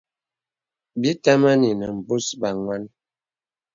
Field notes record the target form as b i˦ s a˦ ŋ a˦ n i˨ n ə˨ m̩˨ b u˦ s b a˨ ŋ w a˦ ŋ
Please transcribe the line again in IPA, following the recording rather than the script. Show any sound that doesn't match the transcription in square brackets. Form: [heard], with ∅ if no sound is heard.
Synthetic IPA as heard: b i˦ [t] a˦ [m] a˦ n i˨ n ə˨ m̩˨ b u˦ s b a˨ ŋ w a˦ [n]